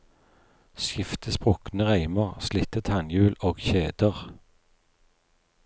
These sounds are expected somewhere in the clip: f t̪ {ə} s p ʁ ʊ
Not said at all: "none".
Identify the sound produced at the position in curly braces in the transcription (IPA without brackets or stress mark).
ə